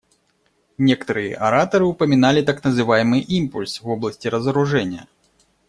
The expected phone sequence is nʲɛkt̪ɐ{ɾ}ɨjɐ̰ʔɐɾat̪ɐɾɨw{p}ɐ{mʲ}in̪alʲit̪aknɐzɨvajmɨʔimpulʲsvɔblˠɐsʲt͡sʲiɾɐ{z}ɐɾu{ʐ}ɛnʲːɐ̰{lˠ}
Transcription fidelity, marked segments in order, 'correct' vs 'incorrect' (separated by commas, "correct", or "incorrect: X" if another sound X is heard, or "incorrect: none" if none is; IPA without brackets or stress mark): correct, correct, correct, correct, correct, incorrect: none